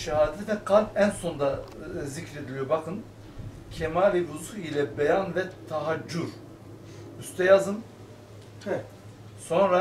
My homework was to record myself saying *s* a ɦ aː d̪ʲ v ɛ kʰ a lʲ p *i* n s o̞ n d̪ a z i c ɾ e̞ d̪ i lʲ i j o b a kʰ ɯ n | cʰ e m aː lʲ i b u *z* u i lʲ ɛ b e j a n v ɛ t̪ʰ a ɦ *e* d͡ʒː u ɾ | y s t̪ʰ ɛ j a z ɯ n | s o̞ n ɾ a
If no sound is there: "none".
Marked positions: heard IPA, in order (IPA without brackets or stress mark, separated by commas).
ʃ, æ, z, a